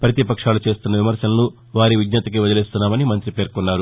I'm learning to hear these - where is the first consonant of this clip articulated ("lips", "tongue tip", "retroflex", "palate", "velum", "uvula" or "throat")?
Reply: lips